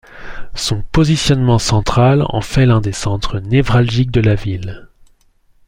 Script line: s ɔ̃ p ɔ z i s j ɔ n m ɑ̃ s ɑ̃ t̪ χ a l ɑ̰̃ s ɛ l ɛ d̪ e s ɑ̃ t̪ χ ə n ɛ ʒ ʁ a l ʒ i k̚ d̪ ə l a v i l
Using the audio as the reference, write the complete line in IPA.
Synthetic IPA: s ɔ̃ p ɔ z i s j ɔ n m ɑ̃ s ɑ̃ t̪ χ a l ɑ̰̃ f ɛ l ɛ̃ d̪ e s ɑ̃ t̪ χ ə n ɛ v ʁ a l ʒ i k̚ d̪ ə l a v i l